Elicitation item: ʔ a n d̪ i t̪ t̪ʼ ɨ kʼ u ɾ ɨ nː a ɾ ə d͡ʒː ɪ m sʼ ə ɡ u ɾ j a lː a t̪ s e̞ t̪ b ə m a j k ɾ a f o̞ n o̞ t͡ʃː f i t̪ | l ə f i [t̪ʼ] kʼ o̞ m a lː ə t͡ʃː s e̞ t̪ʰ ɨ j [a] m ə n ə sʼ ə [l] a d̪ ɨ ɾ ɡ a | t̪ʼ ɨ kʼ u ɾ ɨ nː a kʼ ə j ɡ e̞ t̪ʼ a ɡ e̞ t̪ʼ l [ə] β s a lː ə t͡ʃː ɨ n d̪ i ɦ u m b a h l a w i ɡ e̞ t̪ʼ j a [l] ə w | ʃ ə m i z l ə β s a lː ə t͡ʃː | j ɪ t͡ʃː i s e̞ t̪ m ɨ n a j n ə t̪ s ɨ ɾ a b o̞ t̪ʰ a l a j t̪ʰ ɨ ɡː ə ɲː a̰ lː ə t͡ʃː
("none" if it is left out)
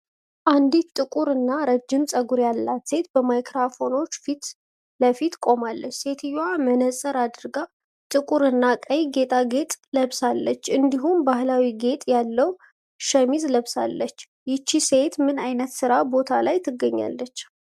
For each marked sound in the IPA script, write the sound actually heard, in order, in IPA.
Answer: t̪, a, ɾ, ə, lː

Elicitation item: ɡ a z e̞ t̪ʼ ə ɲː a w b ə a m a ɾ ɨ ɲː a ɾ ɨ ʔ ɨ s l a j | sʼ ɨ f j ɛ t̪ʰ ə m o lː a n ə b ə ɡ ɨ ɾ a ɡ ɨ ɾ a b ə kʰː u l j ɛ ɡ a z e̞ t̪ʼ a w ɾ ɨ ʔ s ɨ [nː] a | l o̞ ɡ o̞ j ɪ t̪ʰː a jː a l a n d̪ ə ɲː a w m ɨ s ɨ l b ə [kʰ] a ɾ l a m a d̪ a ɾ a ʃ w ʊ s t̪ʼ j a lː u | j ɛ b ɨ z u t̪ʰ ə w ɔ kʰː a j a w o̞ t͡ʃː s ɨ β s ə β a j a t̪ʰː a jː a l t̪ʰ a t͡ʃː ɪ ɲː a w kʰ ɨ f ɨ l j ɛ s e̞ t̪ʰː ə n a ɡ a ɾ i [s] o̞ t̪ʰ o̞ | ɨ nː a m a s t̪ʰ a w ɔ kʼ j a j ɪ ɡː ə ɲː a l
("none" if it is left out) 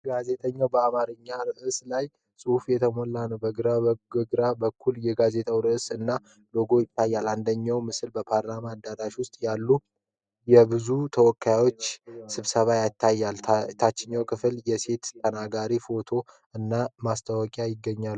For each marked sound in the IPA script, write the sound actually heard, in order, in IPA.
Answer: nː, pʰ, f

